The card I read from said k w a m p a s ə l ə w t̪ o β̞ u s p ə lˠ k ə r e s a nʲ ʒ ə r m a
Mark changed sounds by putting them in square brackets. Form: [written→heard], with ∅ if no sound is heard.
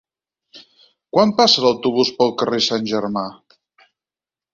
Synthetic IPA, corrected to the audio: k w a m p a s ə l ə w t̪ [o→u] β̞ u s p ə lˠ k ə r e s a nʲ ʒ ə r m a

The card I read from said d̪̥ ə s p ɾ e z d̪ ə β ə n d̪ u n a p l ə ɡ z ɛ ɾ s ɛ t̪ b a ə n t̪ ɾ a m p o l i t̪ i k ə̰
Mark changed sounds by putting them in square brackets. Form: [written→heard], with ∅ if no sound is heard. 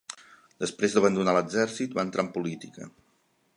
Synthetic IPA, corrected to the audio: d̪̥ ə s p ɾ e z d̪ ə β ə n d̪ u n a [p→∅] l ə ɡ z ɛ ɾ s [ɛ→i] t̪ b a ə n t̪ ɾ a m p [o→u] l i t̪ i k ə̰

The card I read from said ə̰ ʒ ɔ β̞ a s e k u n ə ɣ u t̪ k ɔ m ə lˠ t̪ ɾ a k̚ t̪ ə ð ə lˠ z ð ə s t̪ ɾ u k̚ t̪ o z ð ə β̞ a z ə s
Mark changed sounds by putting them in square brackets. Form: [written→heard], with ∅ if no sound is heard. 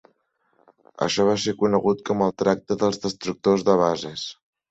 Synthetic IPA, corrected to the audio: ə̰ [ʒ→ʃ] ɔ β̞ a s e k u n ə ɣ u t̪ k ɔ m ə lˠ t̪ ɾ a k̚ t̪ ə ð ə lˠ z ð ə s t̪ ɾ u k̚ t̪ o z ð ə β̞ a z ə s

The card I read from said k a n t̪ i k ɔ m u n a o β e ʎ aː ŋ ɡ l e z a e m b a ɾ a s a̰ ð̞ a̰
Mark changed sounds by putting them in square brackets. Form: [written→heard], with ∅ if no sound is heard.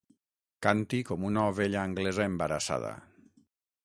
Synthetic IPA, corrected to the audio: k a n t̪ i k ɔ m u n a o β e ʎ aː ŋ ɡ l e z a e m b a ɾ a s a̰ ð̞ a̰

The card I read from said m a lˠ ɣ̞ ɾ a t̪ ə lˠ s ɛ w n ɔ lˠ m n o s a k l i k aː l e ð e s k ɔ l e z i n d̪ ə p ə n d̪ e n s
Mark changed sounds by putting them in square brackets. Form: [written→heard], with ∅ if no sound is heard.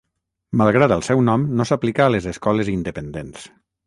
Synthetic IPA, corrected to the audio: m a lˠ ɣ̞ ɾ a t̪ ə lˠ s ɛ w n ɔ [lˠ→∅] m n o s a [k→p] l i k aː l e [ð→z] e s k ɔ l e z i n d̪ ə p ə n d̪ e n s

